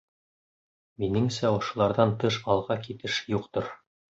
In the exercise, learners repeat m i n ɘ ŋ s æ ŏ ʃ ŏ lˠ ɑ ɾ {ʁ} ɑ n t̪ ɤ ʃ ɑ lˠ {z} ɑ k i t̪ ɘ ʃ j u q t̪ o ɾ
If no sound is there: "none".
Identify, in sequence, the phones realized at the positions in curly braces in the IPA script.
ð, ʁ

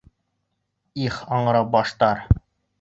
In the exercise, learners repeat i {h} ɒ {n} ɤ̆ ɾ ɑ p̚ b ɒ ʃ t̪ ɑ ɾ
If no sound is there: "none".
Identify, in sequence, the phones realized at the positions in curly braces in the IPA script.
χ, ɴ

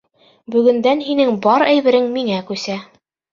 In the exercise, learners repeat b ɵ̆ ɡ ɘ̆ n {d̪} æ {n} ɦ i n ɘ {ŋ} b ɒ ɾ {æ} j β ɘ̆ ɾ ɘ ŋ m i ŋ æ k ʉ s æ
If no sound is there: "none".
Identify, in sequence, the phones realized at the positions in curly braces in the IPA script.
d̪, n, ŋ, æ

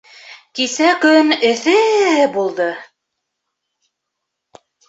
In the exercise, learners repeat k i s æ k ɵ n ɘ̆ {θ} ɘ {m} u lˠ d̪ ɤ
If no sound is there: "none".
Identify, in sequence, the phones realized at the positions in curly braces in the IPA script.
θ, b

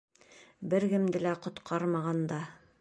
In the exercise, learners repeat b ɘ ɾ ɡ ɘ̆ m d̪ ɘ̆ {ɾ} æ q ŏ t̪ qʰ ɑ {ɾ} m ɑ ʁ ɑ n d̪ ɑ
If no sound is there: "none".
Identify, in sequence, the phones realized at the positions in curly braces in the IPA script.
l, ɾ

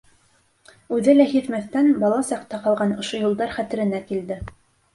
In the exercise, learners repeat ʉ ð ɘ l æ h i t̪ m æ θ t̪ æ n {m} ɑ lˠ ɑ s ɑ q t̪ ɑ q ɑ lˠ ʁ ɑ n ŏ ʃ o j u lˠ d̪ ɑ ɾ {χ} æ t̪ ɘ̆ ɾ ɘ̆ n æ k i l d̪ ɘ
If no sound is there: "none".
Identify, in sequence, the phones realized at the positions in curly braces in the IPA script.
b, χ

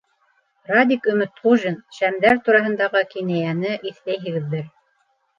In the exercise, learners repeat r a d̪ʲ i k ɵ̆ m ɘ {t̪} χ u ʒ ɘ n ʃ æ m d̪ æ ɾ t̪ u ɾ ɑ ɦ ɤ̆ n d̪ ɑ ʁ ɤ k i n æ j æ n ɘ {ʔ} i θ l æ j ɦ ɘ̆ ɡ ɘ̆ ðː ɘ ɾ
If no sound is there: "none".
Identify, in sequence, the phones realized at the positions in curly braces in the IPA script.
t̪, ʔ

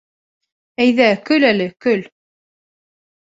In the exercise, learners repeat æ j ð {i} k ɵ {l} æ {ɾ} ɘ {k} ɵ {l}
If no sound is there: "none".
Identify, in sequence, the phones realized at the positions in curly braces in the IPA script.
æ, l, l, k, l

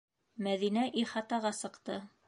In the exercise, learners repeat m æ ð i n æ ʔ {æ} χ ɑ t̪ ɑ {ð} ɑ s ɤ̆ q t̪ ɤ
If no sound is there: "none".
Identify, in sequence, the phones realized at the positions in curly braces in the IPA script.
i, ʁ

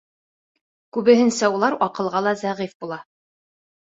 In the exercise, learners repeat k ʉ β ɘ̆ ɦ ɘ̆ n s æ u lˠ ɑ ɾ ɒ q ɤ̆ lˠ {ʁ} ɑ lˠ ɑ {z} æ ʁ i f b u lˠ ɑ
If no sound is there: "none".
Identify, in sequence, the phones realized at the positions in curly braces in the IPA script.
ʁ, z

